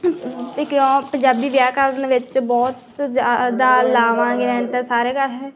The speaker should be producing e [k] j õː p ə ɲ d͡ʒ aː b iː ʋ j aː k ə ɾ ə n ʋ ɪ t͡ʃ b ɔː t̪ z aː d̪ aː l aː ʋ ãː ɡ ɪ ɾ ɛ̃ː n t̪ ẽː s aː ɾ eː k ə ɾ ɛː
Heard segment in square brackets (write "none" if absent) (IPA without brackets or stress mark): k